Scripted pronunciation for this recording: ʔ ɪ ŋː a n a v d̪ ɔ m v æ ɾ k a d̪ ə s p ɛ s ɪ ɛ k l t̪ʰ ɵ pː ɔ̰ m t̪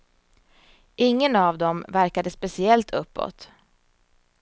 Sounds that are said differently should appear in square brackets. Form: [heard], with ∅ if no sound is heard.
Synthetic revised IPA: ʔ ɪ ŋː [ə] n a v d̪ ɔ m v æ ɾ k a d̪ ə s p ɛ s ɪ ɛ [∅] l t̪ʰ ɵ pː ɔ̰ [∅] t̪